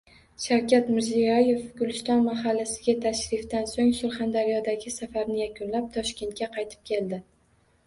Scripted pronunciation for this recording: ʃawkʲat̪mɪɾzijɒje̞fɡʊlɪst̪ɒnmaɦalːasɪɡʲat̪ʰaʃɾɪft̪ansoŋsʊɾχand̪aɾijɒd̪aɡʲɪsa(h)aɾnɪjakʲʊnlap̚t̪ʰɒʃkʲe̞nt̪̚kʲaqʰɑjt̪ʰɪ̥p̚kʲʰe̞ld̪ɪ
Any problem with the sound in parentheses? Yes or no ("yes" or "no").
yes